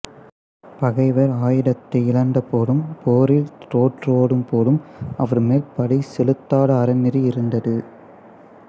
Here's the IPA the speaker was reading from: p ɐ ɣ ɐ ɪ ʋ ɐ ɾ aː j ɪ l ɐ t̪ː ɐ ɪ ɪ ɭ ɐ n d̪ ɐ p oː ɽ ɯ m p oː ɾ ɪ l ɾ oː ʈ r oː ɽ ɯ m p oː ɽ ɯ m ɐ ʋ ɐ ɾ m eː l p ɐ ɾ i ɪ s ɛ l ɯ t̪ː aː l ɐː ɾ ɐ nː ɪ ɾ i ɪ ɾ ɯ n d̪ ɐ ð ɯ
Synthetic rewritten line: p ɐ ɣ ɐ ɪ ʋ ɐ ɾ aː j ɪ ɽ ɐ t̪ː ɐ ɪ ɪ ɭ ɐ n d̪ ɐ p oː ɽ ɯ m p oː ɾ ɪ l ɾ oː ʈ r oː ɽ ɯ m p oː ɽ ɯ m ɐ ʋ ɐ ɾ m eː l p ɐ ɽ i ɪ s ɛ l ɯ t̪ː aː ɽ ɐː ɾ ɐ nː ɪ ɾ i ɪ ɾ ɯ n d̪ ɐ ð ɯ